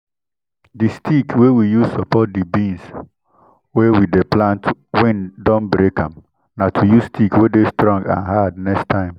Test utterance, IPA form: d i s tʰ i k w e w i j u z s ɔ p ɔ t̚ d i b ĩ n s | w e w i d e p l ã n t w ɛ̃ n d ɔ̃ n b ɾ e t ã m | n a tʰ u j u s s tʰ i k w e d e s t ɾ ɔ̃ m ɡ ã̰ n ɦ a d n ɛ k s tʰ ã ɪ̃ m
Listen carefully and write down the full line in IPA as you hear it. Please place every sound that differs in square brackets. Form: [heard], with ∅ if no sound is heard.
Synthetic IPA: d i s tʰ i k w e w i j u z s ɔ p ɔ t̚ d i b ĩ n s | w e w i d e p l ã n t w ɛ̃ n d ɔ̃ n b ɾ e [k] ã m | n a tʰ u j u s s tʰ i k w e d e s t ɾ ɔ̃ [ŋ] ɡ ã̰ n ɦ a d n ɛ k s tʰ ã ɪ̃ m